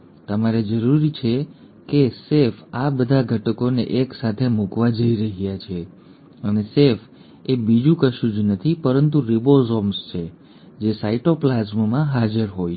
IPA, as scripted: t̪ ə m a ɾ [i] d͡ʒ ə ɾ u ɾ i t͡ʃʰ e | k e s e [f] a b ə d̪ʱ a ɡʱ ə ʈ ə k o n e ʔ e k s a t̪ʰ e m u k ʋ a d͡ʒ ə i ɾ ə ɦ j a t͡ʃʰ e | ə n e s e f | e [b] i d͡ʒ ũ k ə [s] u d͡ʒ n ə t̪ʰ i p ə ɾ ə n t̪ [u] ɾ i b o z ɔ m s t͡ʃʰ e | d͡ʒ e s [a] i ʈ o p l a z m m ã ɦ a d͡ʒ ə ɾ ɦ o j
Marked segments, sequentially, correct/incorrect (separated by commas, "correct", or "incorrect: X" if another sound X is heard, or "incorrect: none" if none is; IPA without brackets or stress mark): incorrect: e, correct, correct, incorrect: ʃ, correct, correct